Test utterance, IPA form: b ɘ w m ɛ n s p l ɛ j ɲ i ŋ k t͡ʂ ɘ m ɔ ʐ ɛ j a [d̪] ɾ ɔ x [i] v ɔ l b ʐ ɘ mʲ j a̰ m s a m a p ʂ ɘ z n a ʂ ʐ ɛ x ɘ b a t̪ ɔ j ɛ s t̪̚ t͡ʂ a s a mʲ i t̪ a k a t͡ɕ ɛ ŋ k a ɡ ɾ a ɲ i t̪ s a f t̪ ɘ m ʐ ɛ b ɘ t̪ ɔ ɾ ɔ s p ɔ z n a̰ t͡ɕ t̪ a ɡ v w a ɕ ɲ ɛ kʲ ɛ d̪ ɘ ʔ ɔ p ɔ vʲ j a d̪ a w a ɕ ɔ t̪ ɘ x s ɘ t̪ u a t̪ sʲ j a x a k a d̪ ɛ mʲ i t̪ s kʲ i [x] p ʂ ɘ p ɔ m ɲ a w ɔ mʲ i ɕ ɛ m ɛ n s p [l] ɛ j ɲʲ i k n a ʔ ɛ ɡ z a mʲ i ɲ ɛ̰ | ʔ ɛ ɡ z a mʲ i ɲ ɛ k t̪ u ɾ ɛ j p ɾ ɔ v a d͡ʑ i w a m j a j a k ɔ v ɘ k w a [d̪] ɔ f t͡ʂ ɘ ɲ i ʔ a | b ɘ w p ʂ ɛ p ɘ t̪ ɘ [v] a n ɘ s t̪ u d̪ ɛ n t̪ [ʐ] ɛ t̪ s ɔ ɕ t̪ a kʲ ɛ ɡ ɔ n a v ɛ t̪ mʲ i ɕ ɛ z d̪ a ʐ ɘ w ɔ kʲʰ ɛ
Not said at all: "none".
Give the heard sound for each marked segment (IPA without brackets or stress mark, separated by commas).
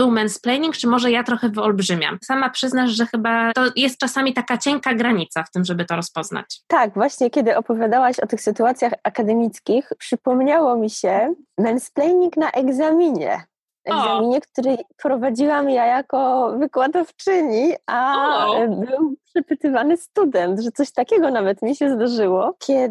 t̪, ɛ, x, l, d̪, v, ʐ